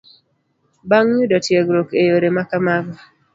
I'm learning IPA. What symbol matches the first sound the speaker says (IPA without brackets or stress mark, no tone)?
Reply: b